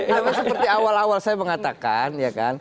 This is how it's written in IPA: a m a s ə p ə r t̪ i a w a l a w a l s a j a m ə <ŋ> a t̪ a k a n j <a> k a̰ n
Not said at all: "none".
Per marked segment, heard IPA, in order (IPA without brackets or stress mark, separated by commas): ŋ, a